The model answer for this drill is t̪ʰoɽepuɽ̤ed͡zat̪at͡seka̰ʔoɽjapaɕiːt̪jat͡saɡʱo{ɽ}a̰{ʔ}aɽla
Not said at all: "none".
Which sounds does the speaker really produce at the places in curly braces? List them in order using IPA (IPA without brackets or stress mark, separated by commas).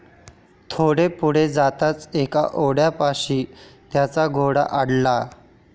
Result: ɽ, ʔ